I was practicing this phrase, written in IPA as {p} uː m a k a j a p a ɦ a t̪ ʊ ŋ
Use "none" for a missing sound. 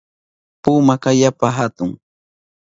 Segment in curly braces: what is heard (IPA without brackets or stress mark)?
p